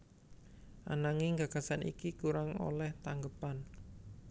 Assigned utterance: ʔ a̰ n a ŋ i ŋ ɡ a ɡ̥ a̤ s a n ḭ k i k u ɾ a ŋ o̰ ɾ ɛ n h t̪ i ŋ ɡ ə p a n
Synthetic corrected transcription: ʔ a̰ n a ŋ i ŋ ɡ a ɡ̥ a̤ s a n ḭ k i k u ɾ a ŋ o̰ l ɛ h t̪ a ŋ ɡ ə p a n